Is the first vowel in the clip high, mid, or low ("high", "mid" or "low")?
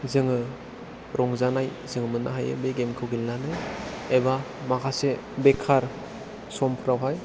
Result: high